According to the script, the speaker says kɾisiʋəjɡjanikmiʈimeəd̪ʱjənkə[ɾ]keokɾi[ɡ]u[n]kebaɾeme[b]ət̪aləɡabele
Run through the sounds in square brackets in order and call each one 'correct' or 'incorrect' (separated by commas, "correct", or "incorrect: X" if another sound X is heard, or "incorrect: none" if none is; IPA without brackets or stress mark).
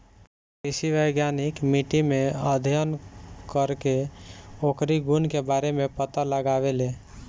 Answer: correct, correct, correct, incorrect: p